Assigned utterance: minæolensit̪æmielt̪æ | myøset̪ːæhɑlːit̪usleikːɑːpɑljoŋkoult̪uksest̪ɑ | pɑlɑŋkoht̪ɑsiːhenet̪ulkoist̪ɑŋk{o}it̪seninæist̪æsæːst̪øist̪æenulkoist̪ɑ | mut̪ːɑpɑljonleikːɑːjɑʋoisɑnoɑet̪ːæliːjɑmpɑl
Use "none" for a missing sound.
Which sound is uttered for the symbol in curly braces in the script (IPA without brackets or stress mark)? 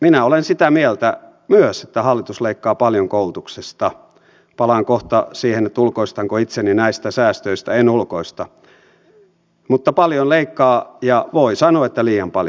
o